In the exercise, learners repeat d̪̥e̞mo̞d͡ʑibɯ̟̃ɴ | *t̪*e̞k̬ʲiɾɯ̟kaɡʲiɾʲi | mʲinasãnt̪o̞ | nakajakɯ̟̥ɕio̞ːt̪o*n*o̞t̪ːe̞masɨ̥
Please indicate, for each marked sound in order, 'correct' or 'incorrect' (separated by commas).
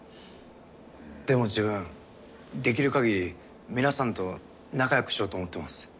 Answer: incorrect, incorrect